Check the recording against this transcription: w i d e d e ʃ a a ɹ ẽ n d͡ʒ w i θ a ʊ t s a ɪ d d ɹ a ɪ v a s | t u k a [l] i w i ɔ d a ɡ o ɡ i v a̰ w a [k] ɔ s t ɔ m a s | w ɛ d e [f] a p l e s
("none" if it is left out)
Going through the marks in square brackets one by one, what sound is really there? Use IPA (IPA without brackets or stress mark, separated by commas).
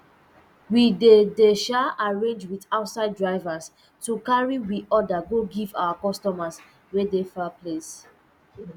ɹ, k, f